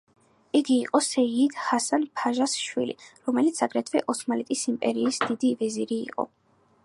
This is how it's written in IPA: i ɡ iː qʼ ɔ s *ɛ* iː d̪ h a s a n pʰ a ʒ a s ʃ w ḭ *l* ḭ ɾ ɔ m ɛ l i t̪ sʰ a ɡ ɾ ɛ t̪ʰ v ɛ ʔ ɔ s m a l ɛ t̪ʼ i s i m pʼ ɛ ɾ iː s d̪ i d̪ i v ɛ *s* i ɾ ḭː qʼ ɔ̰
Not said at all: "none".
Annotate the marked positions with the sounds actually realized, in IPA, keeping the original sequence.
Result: ɛ, l, z

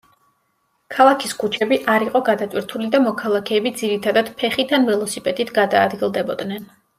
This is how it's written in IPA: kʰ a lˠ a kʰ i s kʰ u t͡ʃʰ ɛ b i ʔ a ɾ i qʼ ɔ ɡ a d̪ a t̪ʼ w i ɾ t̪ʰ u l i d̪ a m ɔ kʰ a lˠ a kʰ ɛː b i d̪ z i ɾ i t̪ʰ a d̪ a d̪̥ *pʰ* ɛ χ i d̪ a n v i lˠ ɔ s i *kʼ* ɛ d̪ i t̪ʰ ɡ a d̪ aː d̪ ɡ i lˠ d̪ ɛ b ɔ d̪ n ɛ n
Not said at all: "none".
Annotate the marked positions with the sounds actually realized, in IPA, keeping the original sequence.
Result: pʰ, pʼ

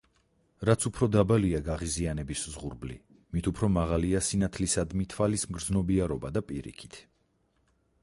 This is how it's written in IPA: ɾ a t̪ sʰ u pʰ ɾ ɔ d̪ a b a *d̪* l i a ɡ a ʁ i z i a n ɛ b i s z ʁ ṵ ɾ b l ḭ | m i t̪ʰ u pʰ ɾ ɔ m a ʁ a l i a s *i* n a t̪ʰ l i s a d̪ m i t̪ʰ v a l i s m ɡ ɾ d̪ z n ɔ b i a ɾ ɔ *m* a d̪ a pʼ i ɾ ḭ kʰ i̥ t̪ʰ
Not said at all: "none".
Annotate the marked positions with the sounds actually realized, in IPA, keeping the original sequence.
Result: none, i, b

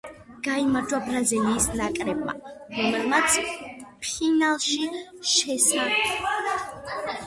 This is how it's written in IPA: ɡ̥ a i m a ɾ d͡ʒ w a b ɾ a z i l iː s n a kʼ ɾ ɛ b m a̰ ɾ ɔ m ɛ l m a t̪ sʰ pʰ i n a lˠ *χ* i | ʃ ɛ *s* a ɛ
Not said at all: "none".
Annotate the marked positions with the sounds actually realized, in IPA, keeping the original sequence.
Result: ʃ, s

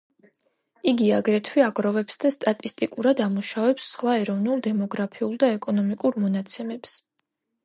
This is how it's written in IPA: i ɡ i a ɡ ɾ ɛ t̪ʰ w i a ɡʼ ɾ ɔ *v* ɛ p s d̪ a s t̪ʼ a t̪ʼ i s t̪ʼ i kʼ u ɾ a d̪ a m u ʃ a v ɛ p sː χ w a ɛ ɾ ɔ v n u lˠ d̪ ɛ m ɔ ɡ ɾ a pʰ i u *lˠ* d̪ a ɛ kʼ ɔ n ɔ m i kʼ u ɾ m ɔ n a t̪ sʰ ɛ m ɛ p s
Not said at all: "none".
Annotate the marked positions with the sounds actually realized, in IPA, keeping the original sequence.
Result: v, lˠ

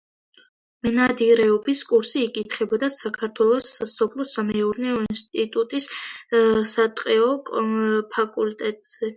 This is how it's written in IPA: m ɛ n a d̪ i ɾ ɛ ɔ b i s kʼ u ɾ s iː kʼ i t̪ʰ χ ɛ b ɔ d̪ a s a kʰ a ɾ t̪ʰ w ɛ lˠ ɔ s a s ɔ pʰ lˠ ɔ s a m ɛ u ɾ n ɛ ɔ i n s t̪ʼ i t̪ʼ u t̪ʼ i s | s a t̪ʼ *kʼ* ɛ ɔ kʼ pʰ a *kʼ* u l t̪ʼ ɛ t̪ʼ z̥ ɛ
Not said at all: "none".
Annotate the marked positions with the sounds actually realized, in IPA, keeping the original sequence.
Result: qʼ, kʼ

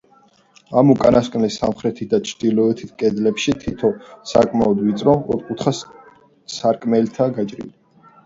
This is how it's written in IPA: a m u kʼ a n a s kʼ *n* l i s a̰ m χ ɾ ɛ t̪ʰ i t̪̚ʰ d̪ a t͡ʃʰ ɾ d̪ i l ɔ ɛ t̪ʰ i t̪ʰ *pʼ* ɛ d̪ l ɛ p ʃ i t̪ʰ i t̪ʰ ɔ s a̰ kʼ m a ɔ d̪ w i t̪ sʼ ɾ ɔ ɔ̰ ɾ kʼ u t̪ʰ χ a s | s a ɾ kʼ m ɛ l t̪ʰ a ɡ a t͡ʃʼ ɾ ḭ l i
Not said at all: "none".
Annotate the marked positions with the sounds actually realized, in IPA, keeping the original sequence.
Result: n, kʼ

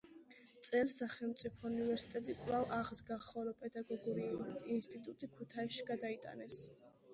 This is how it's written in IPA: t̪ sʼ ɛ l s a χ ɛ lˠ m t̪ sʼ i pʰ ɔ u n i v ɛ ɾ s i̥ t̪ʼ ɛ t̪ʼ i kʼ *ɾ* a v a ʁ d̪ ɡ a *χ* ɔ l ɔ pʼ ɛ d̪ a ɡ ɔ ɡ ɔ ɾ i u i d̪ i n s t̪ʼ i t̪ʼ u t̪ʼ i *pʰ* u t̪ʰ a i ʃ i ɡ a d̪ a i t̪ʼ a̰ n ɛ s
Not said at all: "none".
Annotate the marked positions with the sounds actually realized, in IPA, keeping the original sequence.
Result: l, χ, kʰ

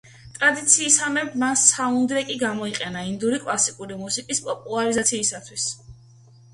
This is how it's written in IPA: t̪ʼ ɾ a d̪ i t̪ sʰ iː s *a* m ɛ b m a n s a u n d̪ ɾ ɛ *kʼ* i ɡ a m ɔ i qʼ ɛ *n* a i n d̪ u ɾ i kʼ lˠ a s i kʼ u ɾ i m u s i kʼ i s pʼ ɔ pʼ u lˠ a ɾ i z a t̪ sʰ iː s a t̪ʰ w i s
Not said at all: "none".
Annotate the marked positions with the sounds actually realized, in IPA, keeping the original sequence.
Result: a, kʼ, n

